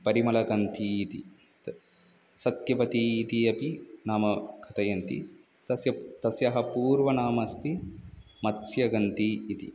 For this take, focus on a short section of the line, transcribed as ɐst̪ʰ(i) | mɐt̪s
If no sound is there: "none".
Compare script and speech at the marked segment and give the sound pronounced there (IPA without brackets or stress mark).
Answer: i